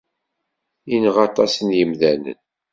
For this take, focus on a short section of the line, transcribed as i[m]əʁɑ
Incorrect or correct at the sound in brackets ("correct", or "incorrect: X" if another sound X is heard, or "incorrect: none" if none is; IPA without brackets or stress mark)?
incorrect: n